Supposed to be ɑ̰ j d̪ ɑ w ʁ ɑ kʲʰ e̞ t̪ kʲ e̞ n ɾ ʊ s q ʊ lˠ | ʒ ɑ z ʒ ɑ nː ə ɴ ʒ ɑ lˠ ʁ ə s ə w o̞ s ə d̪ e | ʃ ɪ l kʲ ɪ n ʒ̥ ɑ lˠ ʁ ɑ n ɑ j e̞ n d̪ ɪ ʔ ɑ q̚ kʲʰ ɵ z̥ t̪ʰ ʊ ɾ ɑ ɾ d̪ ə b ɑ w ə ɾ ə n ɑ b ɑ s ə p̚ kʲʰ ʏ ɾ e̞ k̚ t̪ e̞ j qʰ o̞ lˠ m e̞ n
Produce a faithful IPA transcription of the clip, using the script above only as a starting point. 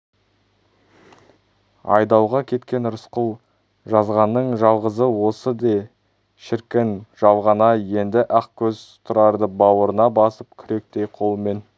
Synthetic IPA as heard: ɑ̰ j d̪ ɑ w ʁ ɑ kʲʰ e̞ t̪ kʲ e̞ n ɾ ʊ s q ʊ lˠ | ʒ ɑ z ʁ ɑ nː ə ɴ ʒ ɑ lˠ ʁ ə z ə w o̞ s ə d̪ e | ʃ ɪ ɾ kʲ ɪ n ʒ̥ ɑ lˠ ʁ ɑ n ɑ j e̞ n d̪ ɪ ʔ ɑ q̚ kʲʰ ɵ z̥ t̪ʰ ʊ ɾ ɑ ɾ d̪ ə b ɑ w ə ɾ ə n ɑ b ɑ s ə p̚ kʲʰ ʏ ɾ e̞ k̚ t̪ e̞ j qʰ o̞ lˠ m e̞ n